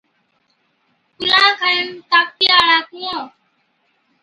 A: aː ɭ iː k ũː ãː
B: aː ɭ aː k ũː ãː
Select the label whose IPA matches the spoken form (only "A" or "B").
B